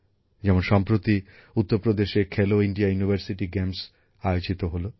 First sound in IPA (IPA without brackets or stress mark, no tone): d͡ʑ